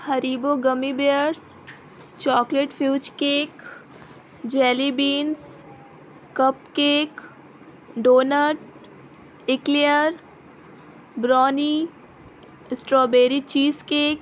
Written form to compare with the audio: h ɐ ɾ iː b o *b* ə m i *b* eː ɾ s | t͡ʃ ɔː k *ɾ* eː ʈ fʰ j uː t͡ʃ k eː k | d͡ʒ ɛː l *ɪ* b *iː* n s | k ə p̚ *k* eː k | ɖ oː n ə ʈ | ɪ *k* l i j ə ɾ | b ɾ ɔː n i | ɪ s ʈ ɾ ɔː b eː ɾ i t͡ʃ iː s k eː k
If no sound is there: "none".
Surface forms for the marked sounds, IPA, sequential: ɡ, b, l, i, iː, k, k

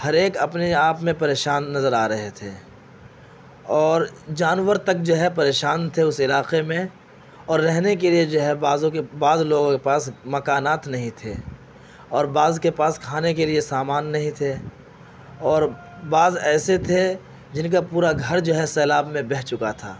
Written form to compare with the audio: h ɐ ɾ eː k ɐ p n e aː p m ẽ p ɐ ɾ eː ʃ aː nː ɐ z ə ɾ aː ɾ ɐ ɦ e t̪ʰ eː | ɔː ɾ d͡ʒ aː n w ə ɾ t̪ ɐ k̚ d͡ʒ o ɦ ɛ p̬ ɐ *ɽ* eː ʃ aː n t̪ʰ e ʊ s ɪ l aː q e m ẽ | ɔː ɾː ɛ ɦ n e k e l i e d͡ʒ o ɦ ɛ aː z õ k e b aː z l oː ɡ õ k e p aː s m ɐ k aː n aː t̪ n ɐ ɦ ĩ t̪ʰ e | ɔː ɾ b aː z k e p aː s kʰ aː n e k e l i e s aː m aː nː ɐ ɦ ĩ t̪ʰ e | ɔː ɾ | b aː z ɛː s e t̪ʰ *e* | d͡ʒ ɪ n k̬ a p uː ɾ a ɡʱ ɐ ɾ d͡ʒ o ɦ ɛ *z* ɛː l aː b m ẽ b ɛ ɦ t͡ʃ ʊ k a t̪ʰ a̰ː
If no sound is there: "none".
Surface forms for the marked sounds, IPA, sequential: ɾ, e, s

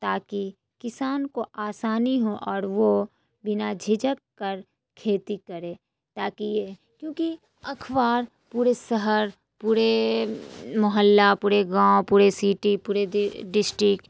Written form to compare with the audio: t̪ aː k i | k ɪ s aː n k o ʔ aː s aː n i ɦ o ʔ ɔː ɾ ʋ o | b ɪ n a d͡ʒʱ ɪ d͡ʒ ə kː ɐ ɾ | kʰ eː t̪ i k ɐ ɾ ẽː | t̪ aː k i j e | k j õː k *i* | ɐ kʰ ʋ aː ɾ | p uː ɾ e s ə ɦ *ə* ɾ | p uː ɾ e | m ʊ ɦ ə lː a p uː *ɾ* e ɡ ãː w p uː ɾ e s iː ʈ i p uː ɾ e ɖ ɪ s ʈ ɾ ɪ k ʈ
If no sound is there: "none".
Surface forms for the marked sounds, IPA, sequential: i, ə, ɾ

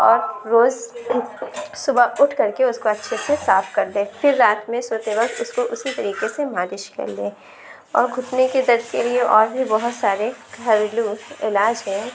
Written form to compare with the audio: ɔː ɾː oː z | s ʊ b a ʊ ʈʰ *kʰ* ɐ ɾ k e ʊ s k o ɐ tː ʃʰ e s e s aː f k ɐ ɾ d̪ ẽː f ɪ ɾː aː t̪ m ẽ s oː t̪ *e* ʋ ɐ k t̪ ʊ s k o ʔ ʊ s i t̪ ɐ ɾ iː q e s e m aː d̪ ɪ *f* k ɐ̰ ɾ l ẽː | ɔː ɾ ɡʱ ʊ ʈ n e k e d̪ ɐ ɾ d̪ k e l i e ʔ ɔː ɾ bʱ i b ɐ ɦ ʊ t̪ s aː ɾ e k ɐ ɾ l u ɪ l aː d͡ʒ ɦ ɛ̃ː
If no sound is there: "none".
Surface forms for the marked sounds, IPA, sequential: k, e, ʃ

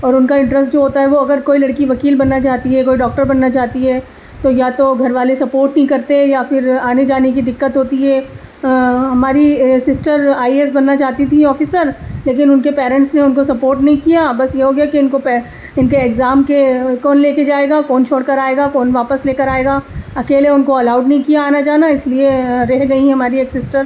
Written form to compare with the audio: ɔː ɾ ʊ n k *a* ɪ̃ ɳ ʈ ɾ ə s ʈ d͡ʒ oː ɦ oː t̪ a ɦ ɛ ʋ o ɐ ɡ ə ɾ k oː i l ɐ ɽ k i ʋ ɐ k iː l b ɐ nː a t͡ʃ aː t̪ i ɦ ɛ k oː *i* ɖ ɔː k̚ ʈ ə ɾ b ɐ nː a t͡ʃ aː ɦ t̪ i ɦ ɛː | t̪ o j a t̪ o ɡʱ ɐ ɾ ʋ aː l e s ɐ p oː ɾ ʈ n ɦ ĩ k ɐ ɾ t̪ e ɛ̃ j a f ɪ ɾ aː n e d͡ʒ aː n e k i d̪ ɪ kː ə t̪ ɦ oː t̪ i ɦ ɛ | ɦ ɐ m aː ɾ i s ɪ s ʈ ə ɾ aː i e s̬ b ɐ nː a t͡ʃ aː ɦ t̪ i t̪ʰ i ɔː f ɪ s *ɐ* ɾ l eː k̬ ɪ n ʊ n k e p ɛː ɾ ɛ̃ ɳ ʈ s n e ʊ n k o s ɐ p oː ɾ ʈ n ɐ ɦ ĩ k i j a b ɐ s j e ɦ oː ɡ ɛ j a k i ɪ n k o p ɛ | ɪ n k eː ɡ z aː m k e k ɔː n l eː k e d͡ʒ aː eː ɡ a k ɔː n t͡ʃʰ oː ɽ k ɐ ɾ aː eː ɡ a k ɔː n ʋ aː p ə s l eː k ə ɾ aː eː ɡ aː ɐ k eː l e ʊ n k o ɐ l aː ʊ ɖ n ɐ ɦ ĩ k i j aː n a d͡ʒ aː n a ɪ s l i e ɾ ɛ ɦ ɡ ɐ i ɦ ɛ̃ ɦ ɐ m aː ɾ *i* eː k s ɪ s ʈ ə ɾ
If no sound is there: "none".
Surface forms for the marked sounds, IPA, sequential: a, i, ə, i

